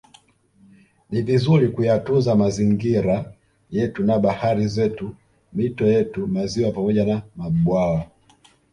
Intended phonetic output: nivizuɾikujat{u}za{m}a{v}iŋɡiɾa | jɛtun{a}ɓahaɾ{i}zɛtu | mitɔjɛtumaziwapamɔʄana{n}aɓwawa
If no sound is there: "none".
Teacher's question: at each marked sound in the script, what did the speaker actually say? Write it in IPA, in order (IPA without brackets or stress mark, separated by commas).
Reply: u, m, z, a, i, m